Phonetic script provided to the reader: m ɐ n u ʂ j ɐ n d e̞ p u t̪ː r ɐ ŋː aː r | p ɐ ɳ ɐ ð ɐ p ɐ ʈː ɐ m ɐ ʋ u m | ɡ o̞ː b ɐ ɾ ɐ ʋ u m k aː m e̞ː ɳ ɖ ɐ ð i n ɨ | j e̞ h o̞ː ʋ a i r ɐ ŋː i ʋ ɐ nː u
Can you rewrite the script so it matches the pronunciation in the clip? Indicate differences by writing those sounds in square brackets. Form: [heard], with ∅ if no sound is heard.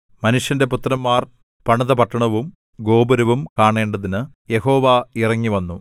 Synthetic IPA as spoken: m ɐ n u ʂ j ɐ n d e̞ p u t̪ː r ɐ [mː] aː r | p ɐ ɳ ɐ ð ɐ p ɐ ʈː ɐ [ɳ] ɐ ʋ u m | ɡ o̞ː b ɐ ɾ ɐ ʋ u m k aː [ɳ] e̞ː ɳ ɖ ɐ ð i n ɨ | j e̞ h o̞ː ʋ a i r ɐ ŋː i ʋ ɐ nː u